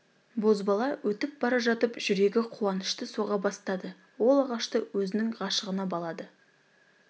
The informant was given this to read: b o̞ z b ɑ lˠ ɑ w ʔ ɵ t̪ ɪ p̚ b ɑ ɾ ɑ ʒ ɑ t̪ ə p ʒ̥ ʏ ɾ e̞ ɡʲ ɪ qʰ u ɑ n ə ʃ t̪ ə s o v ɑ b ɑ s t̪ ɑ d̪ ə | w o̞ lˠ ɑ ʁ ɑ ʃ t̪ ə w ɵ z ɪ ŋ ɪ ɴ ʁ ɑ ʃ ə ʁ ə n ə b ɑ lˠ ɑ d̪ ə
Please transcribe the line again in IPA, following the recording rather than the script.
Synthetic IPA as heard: b o̞ z b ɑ lˠ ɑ w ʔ ɵ t̪ ɪ p̚ b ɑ ɾ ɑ ʒ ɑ t̪ ə p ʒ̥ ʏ ɾ e̞ ɡʲ ɪ qʰ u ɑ n ə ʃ t̪ ə s o ʁ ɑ b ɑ s t̪ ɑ d̪ ə | w o̞ lˠ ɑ ʁ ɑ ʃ t̪ ə w ɵ z ɪ n ɪ ŋ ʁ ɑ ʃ ə ʁ ə n ɑ b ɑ lˠ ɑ d̪ ə